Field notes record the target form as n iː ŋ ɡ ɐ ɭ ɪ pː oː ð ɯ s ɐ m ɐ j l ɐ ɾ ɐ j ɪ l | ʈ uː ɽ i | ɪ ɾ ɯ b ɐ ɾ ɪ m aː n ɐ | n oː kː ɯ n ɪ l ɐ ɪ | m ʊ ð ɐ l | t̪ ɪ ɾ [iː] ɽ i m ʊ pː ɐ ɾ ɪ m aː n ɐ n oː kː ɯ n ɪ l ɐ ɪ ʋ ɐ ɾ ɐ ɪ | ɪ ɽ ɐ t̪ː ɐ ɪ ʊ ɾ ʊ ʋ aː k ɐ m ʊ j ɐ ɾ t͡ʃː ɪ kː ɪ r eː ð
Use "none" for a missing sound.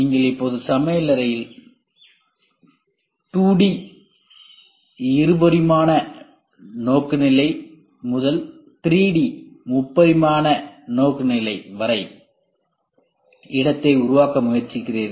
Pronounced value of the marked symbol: iː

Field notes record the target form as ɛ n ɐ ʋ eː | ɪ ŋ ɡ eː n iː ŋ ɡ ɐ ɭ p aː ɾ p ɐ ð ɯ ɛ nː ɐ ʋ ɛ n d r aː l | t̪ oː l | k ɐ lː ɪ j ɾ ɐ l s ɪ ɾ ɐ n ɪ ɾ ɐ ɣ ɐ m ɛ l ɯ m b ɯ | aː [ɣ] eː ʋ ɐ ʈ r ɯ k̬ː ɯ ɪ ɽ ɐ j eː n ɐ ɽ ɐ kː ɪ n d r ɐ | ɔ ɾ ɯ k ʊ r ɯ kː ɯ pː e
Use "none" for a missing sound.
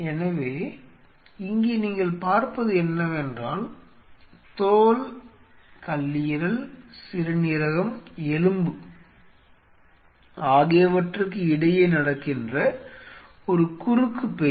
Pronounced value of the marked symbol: ɣ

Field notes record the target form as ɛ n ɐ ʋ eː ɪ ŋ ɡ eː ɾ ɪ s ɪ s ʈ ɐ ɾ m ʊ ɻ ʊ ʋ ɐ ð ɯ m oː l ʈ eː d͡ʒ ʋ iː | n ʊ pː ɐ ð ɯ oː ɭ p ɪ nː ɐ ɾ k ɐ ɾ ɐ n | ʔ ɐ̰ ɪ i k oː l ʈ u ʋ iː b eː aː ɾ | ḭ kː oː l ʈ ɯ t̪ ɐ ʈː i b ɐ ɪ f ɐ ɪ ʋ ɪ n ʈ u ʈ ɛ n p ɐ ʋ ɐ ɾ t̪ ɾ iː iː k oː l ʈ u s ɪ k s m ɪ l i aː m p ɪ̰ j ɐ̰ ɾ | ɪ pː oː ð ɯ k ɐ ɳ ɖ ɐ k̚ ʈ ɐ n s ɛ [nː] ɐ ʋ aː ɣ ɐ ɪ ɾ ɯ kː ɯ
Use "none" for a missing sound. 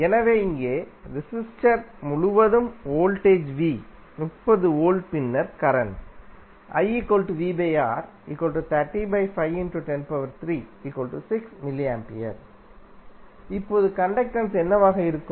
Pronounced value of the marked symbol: nː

